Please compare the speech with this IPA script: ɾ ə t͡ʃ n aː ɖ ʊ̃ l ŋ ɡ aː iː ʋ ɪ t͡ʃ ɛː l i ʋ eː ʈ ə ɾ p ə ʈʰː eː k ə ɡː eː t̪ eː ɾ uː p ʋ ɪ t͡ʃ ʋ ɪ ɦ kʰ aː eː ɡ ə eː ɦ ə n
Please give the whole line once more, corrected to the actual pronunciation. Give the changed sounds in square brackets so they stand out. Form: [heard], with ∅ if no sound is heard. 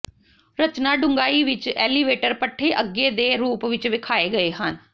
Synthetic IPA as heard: ɾ ə t͡ʃ n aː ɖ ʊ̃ [∅] ŋ ɡ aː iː ʋ ɪ t͡ʃ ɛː l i ʋ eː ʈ ə ɾ p ə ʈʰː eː [ʔ] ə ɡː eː [d̪] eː ɾ uː p ʋ ɪ t͡ʃ ʋ ɪ [∅] kʰ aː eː ɡ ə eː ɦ ə n